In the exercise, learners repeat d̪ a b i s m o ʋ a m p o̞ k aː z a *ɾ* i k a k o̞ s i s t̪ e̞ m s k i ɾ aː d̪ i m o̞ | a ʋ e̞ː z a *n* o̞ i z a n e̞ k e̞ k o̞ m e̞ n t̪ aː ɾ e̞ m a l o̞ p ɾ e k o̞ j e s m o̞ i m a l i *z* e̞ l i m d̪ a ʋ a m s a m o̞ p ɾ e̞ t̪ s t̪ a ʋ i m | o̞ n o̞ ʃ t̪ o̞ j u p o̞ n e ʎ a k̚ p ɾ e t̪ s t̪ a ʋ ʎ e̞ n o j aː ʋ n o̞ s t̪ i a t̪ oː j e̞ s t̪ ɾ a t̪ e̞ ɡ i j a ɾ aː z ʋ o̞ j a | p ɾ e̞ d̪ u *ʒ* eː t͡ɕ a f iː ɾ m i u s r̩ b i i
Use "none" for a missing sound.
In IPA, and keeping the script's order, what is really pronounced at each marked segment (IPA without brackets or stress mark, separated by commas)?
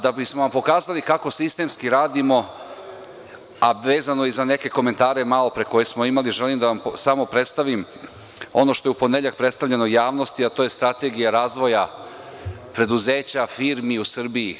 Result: l, n, ʒ, z